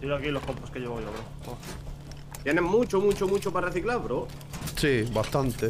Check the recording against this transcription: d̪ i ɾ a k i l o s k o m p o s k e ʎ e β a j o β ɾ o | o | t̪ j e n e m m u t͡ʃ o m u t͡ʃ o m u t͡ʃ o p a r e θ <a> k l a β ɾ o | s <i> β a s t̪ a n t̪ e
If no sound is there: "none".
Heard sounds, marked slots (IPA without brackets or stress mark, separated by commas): i, i